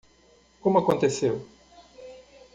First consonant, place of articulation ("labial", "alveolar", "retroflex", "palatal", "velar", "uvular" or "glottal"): velar